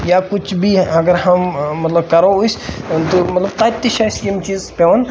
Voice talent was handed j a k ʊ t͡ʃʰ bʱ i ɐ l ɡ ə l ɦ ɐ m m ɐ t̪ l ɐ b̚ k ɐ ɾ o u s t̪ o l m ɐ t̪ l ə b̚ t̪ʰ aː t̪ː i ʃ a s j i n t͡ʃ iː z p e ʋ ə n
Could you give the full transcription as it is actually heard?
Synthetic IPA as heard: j a k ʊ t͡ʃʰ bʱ i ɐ ɡ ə ɾ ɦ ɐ m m ɐ t̪ l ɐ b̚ k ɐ ɾ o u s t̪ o m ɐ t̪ l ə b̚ t̪ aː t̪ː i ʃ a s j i m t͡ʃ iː z p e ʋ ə n